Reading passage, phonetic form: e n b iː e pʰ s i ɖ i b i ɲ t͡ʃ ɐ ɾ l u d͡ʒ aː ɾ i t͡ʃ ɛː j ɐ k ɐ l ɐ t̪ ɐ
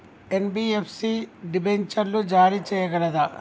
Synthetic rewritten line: e n b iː e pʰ s i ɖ i b e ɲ t͡ʃ ɐ ɾ l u d͡ʒ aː ɾ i t͡ʃ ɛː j ɐ ɡ ɐ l ɐ d̪ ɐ